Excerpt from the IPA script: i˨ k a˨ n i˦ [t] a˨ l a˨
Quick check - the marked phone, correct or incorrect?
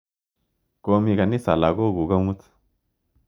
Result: incorrect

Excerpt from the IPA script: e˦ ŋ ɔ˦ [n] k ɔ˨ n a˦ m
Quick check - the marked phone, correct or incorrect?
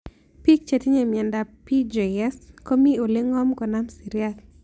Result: incorrect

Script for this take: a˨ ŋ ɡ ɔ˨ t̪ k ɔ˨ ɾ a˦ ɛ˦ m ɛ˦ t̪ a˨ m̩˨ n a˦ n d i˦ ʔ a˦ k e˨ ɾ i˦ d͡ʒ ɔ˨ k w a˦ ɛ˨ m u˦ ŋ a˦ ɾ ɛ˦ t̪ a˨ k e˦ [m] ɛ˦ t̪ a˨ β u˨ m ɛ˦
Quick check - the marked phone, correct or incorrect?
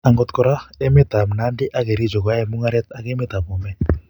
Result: correct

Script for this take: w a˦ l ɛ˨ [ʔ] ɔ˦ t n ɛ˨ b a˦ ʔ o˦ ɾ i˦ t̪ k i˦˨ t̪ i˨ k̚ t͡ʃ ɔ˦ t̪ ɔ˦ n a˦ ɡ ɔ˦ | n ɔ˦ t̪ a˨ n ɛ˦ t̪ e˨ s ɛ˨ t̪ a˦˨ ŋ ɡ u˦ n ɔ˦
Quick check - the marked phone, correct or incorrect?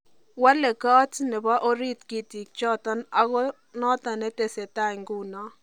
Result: incorrect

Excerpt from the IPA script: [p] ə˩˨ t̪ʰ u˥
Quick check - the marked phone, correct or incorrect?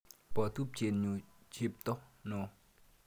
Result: correct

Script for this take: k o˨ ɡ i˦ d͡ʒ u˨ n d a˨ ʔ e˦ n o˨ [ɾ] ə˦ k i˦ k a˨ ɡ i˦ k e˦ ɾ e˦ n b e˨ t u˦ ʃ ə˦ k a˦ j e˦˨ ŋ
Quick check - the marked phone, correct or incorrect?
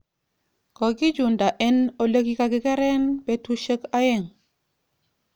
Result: incorrect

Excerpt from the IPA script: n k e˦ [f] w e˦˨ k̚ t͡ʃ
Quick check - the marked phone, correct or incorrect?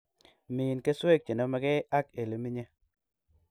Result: incorrect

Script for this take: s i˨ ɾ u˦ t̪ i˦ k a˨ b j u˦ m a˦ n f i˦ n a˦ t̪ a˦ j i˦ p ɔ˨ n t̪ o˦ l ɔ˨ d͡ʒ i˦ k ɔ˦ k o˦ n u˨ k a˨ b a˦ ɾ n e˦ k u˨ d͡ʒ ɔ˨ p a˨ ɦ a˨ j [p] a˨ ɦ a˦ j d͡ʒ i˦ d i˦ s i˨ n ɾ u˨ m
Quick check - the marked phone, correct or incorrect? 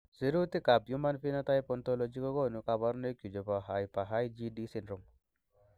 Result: correct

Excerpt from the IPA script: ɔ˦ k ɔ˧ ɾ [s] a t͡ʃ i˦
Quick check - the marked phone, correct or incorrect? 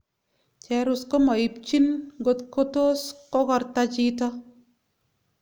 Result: incorrect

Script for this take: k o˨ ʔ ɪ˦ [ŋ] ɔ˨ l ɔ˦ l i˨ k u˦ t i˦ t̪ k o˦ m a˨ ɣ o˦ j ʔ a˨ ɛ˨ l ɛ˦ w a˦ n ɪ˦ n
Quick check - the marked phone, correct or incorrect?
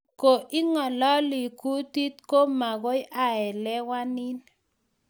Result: correct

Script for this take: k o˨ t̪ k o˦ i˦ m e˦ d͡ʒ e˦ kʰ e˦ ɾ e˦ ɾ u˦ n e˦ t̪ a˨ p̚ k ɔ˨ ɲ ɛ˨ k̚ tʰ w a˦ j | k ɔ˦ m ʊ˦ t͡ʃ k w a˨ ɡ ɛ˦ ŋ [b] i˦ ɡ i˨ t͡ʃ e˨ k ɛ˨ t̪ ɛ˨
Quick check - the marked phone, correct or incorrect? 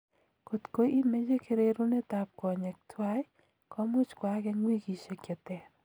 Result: incorrect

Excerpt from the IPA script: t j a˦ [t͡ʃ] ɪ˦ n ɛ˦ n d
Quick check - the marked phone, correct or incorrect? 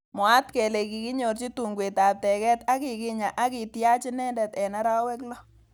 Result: correct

